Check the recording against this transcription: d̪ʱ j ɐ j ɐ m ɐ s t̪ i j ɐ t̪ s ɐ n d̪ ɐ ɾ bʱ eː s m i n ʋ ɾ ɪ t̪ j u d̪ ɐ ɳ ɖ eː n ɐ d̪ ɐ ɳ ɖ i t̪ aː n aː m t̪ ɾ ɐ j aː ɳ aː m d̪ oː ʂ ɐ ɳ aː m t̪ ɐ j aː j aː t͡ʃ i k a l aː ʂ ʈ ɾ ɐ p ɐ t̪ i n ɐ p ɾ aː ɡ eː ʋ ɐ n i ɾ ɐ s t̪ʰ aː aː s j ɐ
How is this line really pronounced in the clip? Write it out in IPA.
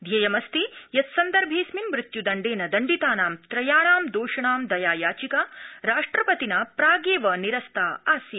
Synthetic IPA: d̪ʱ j ɐ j ɐ m ɐ s t̪ i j ɐ t̪ s ɐ n d̪ ɐ ɾ bʱ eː s m i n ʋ ɾ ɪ t̪ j u d̪ ɐ ɳ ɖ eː n ɐ d̪ ɐ ɳ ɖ i t̪ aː n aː m t̪ ɾ ɐ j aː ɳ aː m d̪ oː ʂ ɐ ɳ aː m d̪ ɐ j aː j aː t͡ʃ i k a ɾ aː ʂ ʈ ɾ ɐ p ɐ t̪ i n ɐ p ɾ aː ɡ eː ʋ ɐ n i ɾ ɐ s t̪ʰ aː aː s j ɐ